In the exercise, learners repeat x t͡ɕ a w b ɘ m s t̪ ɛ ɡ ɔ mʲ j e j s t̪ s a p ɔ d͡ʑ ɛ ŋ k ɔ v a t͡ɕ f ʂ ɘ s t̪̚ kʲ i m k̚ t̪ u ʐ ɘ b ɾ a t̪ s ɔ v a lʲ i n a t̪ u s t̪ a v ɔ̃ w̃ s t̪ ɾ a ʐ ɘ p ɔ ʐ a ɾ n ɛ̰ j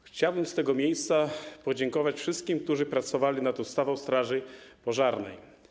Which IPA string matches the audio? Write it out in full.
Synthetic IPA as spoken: x t͡ɕ a w b ɘ m s t̪ ɛ ɡ ɔ mʲ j e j s t̪ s a p ɔ d͡ʑ ɛ ŋ k ɔ v a t͡ɕ f ʂ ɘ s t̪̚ kʲ i m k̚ t̪ u ʐ ɘ p ɾ a t̪ s ɔ v a lʲ i n a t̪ u s t̪ a v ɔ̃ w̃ s t̪ ɾ a ʐ ɘ p ɔ ʐ a ɾ n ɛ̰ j